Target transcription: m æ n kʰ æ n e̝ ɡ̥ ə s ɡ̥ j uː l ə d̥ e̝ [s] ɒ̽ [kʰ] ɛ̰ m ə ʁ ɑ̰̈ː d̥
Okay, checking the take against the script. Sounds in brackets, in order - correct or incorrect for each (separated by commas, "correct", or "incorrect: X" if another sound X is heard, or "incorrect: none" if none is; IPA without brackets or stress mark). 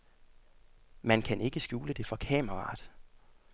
incorrect: f, correct